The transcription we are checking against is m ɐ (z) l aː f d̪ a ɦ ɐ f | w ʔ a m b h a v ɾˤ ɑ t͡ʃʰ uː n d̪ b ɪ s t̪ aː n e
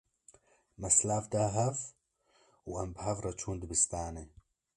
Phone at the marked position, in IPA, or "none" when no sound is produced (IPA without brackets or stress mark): s